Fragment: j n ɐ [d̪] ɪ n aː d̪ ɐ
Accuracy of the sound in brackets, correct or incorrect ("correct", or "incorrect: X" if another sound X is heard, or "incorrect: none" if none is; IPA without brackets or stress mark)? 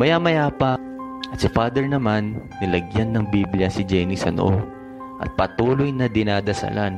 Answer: correct